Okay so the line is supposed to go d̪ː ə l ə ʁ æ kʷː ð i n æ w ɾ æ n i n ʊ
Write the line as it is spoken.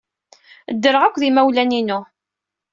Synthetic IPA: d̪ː ə ɾ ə ʁ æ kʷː ð i m æ w l æ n i n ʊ